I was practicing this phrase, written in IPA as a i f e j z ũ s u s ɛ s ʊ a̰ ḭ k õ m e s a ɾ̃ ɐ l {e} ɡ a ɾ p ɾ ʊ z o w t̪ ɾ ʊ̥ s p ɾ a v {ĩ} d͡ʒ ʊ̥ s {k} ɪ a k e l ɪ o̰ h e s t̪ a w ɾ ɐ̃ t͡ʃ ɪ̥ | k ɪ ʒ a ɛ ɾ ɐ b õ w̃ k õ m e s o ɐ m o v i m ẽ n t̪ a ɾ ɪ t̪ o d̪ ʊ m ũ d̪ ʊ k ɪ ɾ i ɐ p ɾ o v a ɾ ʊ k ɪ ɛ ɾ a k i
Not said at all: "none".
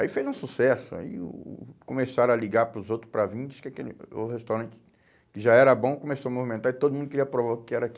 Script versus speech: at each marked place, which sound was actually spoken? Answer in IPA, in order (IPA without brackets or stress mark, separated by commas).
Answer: i, ĩ, k